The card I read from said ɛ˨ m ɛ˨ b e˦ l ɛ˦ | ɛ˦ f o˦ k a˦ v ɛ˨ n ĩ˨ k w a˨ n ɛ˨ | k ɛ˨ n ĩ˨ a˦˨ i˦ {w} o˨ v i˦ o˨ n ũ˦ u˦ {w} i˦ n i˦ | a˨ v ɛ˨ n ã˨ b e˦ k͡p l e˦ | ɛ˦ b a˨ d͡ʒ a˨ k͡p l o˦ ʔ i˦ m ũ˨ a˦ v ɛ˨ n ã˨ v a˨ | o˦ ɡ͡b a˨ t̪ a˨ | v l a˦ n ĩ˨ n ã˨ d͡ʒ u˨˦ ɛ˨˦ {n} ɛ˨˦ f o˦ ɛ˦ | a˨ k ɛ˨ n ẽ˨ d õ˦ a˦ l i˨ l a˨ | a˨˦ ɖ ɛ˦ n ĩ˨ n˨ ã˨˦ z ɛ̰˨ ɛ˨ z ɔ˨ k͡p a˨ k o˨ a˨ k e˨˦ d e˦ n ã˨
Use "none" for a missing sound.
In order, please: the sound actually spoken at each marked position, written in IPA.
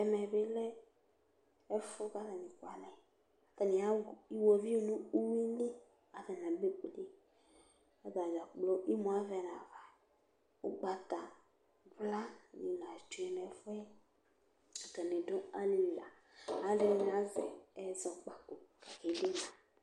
w, w, n

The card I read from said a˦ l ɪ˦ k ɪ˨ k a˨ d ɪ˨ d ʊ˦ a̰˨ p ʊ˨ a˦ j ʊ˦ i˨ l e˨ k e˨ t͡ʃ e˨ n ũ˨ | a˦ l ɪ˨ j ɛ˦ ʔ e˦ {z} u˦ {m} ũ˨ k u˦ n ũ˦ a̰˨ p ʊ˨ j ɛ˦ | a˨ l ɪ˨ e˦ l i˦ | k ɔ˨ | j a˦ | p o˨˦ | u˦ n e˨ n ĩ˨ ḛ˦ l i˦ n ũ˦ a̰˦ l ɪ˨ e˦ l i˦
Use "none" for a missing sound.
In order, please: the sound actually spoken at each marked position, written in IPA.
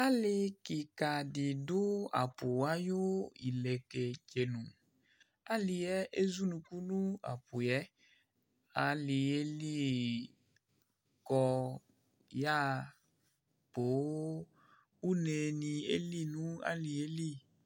z, n

